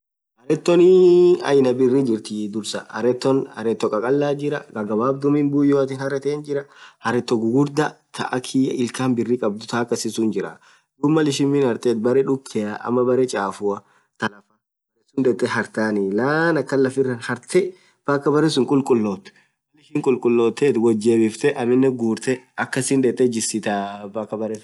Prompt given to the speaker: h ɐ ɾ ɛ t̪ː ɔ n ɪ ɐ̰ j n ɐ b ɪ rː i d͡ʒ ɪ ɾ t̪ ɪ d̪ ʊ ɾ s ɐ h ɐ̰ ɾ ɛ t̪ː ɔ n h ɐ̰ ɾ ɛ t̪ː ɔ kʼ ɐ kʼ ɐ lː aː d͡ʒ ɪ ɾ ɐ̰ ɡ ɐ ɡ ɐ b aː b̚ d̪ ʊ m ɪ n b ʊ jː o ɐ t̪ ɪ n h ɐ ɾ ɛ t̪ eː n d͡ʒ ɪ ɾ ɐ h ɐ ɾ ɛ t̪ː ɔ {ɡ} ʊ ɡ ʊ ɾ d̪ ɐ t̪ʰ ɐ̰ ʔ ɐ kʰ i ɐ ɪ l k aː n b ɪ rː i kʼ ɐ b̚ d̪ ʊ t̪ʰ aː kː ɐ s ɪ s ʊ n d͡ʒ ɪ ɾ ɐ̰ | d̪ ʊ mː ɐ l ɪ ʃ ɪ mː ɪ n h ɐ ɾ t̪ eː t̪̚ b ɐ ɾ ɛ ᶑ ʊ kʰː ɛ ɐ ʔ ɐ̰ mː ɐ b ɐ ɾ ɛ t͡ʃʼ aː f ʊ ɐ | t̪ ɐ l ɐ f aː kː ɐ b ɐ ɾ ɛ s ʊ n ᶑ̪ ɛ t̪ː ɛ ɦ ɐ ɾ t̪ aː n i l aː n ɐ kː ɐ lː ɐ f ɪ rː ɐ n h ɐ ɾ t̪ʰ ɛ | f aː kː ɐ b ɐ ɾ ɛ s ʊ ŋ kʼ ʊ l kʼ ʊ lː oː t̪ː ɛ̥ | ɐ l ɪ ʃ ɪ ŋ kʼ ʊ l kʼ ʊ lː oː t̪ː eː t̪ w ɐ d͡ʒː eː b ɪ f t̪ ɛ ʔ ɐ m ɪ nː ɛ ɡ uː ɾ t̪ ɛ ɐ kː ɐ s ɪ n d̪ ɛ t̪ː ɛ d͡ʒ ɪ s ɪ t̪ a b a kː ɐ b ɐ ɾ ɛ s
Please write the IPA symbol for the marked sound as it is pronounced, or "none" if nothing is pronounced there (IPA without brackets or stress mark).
ɡ